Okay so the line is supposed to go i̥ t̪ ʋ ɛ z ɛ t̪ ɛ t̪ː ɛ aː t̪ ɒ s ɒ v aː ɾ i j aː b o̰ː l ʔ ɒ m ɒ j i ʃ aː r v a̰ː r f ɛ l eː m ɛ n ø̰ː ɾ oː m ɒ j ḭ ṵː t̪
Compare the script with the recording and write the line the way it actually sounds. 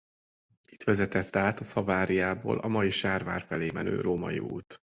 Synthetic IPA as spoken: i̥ t̪ ʋ ɛ z ɛ t̪ ɛ t̪ː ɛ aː t̪ ɒ s ɒ v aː ɾ i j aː b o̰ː l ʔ ɒ m ɒ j i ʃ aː r v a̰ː r f ɛ l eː m ɛ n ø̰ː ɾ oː m ɒ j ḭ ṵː t̪